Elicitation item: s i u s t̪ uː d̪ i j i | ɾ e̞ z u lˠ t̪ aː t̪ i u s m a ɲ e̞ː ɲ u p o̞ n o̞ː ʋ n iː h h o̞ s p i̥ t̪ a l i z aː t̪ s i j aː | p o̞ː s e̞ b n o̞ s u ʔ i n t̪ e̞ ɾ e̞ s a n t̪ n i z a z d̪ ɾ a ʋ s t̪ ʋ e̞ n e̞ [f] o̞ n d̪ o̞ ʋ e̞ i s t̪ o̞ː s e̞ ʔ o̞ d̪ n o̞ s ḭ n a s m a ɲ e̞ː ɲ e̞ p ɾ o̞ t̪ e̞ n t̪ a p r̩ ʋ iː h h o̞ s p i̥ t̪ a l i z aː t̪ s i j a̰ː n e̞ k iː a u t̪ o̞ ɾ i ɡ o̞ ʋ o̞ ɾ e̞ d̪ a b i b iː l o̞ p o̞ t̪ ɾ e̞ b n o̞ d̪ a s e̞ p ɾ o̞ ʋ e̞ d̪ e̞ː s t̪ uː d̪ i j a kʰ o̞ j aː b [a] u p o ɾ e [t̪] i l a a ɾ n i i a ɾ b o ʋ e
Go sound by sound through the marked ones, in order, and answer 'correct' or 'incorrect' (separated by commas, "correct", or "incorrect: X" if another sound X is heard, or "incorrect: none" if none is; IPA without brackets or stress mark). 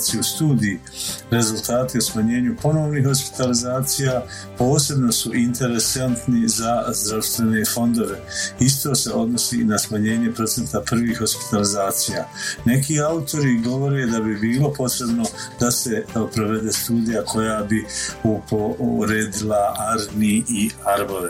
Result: correct, incorrect: i, incorrect: d̪